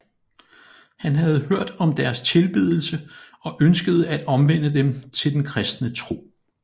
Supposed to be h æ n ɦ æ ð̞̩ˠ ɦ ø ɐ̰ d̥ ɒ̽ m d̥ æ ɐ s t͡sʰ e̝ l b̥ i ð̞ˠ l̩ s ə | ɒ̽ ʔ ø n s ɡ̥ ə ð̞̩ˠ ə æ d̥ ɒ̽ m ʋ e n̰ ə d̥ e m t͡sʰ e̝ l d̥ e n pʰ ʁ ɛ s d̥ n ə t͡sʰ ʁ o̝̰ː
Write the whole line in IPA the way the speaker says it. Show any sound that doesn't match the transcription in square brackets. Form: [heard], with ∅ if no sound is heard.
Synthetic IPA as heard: h æ n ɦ æ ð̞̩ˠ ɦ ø ɐ̰ d̥ ɒ̽ m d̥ æ ɐ s t͡sʰ e̝ l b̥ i ð̞ˠ l̩ s ə | ɒ̽ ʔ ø n s ɡ̥ ə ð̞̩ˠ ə æ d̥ ɒ̽ m ʋ e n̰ ə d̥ e m t͡sʰ e̝ l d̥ e n [kʰ] ʁ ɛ s d̥ n ə t͡sʰ ʁ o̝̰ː